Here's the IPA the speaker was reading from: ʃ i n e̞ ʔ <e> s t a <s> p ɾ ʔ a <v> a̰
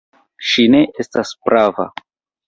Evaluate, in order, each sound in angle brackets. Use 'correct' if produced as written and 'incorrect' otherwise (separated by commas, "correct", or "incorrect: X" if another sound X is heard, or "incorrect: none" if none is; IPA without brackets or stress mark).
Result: correct, correct, correct